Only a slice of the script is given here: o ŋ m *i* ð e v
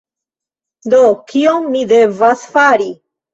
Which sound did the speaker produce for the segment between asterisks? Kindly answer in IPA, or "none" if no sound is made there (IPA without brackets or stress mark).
i